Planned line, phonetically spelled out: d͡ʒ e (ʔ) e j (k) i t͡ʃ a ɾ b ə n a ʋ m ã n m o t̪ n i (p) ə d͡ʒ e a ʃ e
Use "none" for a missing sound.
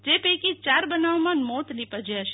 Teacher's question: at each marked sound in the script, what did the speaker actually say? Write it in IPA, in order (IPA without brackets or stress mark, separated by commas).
p, k, p